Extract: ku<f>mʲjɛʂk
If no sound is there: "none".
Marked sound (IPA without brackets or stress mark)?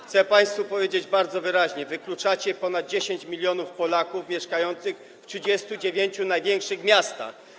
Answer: f